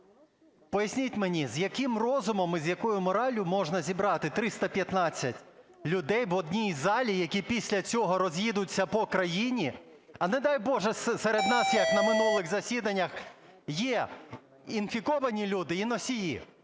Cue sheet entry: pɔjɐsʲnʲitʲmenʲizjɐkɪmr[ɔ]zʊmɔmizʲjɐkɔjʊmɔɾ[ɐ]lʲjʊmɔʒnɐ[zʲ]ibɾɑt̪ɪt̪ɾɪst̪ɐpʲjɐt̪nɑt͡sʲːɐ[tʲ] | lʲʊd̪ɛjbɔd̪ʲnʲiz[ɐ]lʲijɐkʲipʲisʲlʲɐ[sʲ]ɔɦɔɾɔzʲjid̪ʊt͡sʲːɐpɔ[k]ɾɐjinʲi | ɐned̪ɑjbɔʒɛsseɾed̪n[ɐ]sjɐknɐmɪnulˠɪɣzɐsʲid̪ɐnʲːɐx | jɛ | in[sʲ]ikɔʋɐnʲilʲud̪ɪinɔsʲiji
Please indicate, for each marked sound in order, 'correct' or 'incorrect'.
correct, incorrect, correct, correct, incorrect, incorrect, correct, incorrect, incorrect

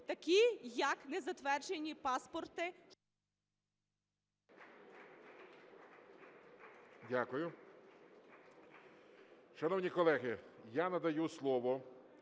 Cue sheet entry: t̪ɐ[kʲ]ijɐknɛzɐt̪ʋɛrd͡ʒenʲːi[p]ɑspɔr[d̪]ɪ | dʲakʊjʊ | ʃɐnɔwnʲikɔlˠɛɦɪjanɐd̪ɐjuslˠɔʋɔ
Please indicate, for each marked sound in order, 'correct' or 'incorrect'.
correct, correct, incorrect

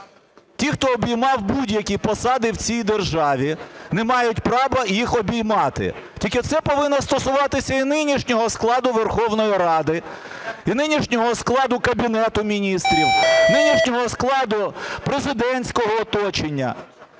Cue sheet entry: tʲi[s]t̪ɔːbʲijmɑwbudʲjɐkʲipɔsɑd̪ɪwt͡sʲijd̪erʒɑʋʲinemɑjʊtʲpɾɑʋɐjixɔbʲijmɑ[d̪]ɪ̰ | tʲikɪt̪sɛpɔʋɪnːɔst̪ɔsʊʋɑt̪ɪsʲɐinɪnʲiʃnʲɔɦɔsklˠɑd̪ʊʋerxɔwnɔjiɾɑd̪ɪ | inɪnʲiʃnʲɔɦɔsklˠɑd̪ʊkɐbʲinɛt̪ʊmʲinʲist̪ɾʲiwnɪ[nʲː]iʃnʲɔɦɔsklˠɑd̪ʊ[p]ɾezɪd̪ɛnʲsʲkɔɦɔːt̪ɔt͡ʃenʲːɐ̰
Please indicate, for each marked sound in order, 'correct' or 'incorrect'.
incorrect, incorrect, incorrect, correct

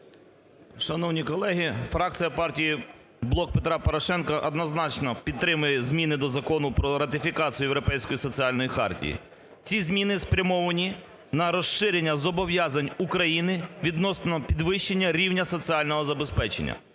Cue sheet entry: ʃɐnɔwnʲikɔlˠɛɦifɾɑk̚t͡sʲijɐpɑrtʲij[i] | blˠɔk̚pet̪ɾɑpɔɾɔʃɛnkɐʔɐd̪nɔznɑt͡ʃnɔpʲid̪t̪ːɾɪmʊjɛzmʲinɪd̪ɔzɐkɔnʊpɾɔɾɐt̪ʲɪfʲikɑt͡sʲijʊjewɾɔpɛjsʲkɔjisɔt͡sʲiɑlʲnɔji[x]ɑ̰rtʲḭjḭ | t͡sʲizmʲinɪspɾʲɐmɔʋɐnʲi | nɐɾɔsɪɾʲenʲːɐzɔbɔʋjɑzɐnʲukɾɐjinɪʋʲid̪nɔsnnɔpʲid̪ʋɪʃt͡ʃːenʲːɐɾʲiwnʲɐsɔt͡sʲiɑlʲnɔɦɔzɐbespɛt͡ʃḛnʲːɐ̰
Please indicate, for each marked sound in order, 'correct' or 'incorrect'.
correct, correct

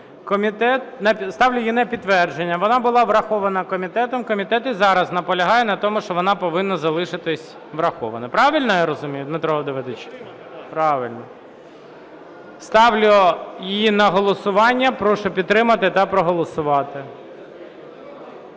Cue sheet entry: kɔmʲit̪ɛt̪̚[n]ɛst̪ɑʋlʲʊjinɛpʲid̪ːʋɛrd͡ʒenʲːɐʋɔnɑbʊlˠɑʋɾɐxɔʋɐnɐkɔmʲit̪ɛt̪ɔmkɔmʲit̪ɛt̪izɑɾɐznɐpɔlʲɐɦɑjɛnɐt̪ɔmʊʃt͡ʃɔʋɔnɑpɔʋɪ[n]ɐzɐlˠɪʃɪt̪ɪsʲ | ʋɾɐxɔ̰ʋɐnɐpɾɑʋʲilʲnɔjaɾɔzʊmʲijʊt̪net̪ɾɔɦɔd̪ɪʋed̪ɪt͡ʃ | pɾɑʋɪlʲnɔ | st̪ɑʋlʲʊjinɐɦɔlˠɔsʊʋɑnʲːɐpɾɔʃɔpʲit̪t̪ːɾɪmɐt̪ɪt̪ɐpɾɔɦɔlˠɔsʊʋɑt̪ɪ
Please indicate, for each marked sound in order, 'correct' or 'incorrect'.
correct, incorrect

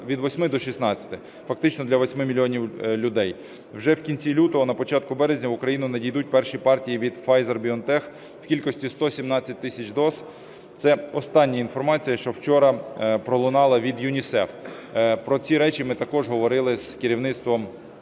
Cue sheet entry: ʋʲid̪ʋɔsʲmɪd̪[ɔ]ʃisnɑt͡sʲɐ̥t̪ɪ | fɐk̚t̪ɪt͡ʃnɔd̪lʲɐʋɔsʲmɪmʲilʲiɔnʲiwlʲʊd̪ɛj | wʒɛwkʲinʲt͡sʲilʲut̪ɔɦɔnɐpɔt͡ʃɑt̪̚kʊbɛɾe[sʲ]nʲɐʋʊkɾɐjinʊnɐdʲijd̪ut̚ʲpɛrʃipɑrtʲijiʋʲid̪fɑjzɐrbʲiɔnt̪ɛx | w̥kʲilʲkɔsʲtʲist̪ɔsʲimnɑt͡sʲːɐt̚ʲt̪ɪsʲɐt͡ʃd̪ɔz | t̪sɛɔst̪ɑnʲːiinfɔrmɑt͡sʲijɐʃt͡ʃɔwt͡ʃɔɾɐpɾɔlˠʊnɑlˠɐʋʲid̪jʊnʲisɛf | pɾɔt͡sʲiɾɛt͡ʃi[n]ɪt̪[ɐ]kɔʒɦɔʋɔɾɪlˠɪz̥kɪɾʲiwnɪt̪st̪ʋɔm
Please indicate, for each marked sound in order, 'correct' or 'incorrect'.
correct, incorrect, incorrect, correct

